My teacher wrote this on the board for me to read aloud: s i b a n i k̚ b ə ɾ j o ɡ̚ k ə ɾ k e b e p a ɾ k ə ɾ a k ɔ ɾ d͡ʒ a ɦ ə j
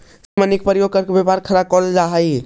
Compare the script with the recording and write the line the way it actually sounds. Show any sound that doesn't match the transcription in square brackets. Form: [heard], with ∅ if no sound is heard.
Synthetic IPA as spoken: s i [m] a n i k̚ [p] ə ɾ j o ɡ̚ k ə ɾ k e b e p a ɾ [kʰ] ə ɾ a k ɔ [l] d͡ʒ a ɦ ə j